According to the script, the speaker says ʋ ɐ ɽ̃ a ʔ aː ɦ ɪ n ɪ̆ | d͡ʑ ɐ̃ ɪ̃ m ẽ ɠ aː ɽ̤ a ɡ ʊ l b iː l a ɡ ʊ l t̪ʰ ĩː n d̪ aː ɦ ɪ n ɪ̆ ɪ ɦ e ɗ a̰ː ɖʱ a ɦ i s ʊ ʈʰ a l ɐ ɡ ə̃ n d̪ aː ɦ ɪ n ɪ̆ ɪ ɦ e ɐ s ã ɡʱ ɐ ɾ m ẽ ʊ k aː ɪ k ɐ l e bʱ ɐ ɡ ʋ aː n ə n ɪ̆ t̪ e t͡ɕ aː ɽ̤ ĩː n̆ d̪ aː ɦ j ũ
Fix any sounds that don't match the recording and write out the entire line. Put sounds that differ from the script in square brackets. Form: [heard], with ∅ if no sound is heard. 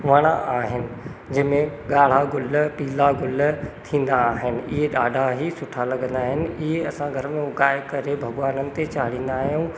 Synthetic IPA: ʋ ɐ ɽ̃ a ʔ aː ɦ ɪ n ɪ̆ | d͡ʑ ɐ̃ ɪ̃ m ẽ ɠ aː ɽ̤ a ɡ ʊ l [p] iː l a ɡ ʊ l t̪ʰ ĩː n d̪ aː ɦ ɪ n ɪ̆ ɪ ɦ e ɗ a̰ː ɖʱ a ɦ i s ʊ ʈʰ a l ɐ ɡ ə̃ n d̪ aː ɦ ɪ n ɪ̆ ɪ ɦ e ɐ s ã ɡʱ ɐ ɾ m ẽ ʊ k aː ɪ k ɐ [ɾ] e bʱ ɐ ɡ ʋ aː n ə n ɪ̆ t̪ e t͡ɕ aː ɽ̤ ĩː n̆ d̪ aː ɦ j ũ

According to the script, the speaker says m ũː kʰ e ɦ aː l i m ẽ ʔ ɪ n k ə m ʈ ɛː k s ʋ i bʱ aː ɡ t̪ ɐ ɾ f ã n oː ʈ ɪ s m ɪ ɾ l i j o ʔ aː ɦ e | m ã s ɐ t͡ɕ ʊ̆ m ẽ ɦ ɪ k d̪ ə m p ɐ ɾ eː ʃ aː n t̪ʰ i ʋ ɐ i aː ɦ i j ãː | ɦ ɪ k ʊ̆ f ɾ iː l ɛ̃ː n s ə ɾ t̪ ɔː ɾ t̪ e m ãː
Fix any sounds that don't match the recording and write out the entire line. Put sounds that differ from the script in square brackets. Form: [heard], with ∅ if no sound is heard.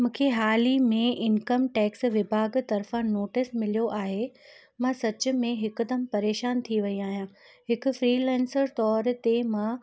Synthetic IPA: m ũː kʰ e ɦ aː l i m ẽ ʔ ɪ n k ə m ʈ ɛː k s ʋ [ɪ] bʱ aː ɡ t̪ ɐ ɾ f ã n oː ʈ ɪ s m ɪ [∅] l i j o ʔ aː ɦ e | m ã s ɐ t͡ɕ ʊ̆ m ẽ ɦ ɪ k d̪ ə m p ɐ ɾ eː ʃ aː n t̪ʰ i ʋ ɐ i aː ɦ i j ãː | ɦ ɪ k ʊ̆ f ɾ iː l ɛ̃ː n s ə ɾ t̪ ɔː ɾ t̪ e m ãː

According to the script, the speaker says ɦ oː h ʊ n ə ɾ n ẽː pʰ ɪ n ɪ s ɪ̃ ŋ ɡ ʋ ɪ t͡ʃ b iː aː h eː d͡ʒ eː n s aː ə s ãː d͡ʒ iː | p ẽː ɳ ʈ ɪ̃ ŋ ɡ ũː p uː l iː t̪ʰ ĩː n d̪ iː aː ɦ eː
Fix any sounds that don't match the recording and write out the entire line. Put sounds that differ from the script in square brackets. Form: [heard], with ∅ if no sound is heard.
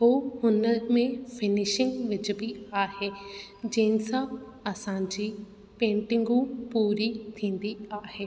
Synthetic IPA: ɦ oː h ʊ n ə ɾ [m] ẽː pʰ ɪ n ɪ [ʃ] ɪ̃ ŋ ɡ ʋ ɪ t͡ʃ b iː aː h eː d͡ʒ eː n s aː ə s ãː d͡ʒ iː | p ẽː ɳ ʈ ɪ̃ ŋ ɡ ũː p uː [ɾ] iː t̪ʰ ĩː n d̪ iː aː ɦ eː

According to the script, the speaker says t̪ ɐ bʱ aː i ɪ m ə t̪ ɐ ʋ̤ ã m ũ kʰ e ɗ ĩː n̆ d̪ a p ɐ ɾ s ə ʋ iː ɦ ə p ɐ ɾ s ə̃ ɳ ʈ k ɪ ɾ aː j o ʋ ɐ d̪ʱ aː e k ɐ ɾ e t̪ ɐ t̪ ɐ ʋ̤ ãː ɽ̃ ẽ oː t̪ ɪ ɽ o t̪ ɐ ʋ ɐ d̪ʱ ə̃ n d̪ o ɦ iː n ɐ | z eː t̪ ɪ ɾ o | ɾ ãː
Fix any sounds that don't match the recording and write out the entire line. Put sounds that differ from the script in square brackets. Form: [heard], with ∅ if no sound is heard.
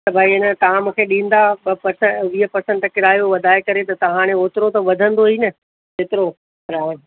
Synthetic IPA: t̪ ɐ bʱ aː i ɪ [n] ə t̪ ɐ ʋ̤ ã m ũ kʰ e ɗ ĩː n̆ d̪ a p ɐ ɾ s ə ʋ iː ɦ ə p ɐ ɾ s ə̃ ɳ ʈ k ɪ ɾ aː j o ʋ ɐ d̪ʱ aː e k ɐ ɾ e t̪ ɐ t̪ ɐ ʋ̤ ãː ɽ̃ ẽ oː t̪ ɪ [ɾ] o t̪ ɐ ʋ ɐ d̪ʱ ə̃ n d̪ o ɦ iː n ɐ | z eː t̪ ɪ ɾ o | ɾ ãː

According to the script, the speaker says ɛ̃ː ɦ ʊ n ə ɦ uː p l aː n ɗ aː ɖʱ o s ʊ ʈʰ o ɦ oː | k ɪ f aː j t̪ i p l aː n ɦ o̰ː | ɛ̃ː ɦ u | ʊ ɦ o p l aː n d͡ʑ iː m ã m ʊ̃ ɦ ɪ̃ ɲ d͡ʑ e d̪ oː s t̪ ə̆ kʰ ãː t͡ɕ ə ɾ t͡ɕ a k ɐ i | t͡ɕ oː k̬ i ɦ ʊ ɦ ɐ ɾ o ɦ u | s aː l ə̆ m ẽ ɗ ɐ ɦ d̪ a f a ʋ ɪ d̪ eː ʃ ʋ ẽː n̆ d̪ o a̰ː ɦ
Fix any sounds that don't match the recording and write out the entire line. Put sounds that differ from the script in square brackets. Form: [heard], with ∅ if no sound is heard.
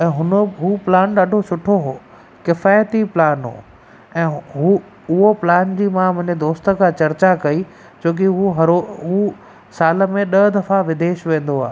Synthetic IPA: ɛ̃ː ɦ ʊ n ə ɦ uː p l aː n ɗ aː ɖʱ o s ʊ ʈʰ o ɦ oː | k ɪ f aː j t̪ i p l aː n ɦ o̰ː | ɛ̃ː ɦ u | ʊ ɦ o p l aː n d͡ʑ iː m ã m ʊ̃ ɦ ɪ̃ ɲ d͡ʑ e d̪ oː s t̪ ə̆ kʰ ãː t͡ɕ [ɐ] ɾ t͡ɕ a k ɐ i | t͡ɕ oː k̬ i ɦ [u] ɦ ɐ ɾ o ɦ u | s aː l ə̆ m ẽ ɗ ɐ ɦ d̪ [ɐ] f a ʋ ɪ d̪ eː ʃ ʋ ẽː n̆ d̪ o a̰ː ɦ

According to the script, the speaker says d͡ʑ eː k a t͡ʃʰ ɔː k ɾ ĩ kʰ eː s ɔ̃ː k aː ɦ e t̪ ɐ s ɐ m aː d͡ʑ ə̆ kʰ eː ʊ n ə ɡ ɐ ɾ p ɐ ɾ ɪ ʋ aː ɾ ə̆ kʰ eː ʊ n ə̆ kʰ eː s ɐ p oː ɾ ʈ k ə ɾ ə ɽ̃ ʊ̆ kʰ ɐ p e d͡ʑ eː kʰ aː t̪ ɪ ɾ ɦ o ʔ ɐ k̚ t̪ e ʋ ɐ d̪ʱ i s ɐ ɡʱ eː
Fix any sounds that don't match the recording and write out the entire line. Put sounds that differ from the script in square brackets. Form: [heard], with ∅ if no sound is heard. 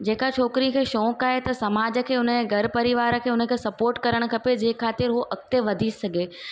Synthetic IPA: d͡ʑ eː k a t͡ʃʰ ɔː k ɾ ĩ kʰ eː [ʃ] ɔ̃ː k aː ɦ e t̪ ɐ s ɐ m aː d͡ʑ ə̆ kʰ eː ʊ n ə ɡ ɐ ɾ p ɐ ɾ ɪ ʋ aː ɾ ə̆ kʰ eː ʊ n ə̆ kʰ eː s ɐ p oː ɾ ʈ k [ɐ] ɾ ə ɽ̃ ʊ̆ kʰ ɐ p e d͡ʑ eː kʰ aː t̪ ɪ ɾ ɦ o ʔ ɐ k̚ t̪ e ʋ ɐ d̪ʱ i s ɐ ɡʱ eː

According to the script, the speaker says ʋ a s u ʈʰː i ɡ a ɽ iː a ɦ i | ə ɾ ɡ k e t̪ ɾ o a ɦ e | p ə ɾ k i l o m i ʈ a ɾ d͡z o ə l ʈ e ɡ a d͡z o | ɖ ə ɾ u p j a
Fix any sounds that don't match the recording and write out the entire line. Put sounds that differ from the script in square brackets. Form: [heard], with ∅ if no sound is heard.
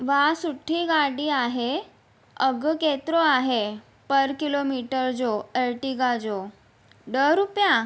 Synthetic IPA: ʋ a s u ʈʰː i ɡ a ɽ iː a ɦ [e] | ə [∅] ɡ k e t̪ ɾ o a ɦ e | p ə ɾ k i l o m i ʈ [ə] ɾ d͡z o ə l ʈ [i] ɡ a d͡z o | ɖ ə ɾ u p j a

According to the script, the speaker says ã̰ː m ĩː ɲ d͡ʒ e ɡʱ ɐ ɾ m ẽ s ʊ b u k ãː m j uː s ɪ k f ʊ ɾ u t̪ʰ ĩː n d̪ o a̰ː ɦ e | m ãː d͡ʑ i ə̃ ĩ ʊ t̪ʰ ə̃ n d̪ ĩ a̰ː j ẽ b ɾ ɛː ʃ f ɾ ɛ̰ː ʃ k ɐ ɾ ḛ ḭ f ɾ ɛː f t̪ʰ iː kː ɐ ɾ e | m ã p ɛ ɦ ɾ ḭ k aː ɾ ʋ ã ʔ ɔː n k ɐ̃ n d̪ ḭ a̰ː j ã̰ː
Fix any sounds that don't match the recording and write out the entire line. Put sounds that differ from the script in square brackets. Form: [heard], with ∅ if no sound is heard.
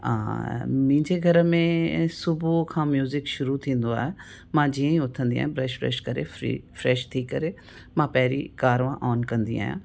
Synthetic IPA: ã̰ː m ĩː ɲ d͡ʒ e ɡʱ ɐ ɾ m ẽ s ʊ b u [kʰ] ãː m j uː [z] ɪ k [ʃ] ʊ ɾ u t̪ʰ ĩː n d̪ o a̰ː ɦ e | m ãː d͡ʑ i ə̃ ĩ ʊ t̪ʰ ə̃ n d̪ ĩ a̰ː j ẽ b ɾ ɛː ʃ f ɾ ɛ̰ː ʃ k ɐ ɾ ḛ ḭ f ɾ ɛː [ʃ] t̪ʰ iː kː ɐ ɾ e | m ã p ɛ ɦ ɾ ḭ k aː ɾ ʋ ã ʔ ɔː n k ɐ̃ n d̪ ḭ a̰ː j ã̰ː

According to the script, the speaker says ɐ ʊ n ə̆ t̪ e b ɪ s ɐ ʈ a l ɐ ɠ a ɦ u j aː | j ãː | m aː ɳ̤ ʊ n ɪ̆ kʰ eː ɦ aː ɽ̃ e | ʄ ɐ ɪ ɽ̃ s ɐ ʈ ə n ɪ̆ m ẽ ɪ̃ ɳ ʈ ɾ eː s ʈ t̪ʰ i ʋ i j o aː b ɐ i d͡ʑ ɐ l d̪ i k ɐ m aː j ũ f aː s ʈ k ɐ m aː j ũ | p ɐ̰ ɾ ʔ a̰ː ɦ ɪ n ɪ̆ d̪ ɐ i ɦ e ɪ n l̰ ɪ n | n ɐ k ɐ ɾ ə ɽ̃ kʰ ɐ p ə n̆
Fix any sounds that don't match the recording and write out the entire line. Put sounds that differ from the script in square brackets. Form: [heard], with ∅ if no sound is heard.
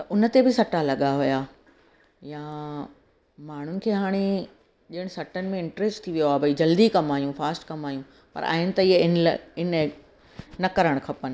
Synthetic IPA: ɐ ʊ n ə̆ t̪ e b ɪ s ɐ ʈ a l ɐ ɠ a ɦ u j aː | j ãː | m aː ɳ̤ ʊ n ɪ̆ kʰ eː ɦ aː ɽ̃ e | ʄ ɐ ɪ ɽ̃ s ɐ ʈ ə n ɪ̆ m ẽ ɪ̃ ɳ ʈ ɾ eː s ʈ t̪ʰ i ʋ i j o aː b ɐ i d͡ʑ ɐ l d̪ i k ɐ m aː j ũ f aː s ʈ k ɐ m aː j ũ | p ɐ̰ ɾ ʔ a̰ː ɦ ɪ n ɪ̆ [t̪] ɐ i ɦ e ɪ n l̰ ɪ n | n ɐ k ɐ ɾ ə ɽ̃ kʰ ɐ p ə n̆

